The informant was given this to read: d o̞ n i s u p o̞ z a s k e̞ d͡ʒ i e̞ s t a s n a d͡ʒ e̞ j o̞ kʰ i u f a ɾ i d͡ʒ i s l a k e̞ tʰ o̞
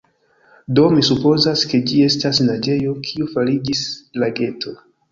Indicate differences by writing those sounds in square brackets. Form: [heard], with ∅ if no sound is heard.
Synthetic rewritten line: d o̞ [m] i s u p o̞ z a s k e̞ d͡ʒ i e̞ s t a s n a d͡ʒ e̞ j o̞ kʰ i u f a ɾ i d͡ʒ i s l a [ɡ] e̞ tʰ o̞